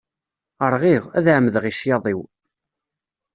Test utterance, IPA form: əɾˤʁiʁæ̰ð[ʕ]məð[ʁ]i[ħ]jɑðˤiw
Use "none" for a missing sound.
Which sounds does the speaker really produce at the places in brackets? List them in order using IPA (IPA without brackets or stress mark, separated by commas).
ʕ, ʁ, ʃ